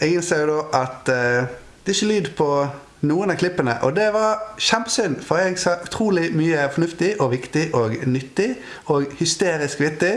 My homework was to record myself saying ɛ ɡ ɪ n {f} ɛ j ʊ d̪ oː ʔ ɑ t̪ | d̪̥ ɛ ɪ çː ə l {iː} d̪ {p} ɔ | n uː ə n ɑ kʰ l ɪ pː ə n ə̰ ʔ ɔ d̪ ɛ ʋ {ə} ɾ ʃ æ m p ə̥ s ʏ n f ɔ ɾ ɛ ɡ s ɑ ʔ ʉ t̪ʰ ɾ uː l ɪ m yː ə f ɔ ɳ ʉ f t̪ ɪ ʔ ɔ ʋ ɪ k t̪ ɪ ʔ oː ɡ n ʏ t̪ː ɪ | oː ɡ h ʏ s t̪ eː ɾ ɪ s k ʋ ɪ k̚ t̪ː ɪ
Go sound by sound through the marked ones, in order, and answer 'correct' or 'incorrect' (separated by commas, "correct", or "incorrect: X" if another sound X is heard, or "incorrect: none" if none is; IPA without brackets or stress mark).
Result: incorrect: s, incorrect: yː, incorrect: pʰ, incorrect: ɑ